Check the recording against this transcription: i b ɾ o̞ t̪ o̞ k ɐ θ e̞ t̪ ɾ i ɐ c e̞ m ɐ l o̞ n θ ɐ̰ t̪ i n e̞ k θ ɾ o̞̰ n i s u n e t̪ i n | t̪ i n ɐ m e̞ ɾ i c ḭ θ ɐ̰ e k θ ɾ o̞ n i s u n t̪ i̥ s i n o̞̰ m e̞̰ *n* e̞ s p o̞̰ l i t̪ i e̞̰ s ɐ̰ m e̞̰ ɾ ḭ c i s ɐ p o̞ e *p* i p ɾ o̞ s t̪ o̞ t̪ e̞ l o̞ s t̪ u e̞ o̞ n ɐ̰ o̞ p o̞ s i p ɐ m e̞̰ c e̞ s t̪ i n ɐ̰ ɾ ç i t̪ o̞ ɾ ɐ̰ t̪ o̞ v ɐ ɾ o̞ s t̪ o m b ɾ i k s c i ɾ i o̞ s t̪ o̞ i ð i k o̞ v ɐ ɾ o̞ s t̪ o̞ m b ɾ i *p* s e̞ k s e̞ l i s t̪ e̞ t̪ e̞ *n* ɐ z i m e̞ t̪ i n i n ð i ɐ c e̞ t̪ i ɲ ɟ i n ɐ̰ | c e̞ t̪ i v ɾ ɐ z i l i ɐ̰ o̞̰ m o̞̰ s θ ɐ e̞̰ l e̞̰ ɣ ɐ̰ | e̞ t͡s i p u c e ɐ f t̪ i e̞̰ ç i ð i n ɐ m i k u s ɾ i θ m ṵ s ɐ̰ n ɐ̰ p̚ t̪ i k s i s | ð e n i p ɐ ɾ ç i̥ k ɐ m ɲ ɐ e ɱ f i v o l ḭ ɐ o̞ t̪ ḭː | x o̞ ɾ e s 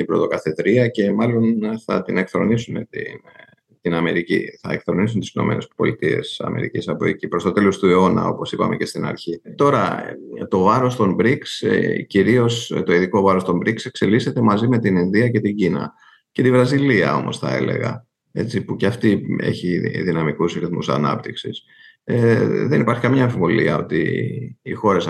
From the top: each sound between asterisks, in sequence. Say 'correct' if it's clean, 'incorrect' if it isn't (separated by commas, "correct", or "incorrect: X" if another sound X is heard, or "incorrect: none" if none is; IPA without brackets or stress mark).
correct, incorrect: c, incorrect: k, incorrect: m